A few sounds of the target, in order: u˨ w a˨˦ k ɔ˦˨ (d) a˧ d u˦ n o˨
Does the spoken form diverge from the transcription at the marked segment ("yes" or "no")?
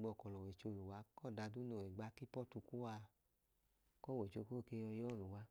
no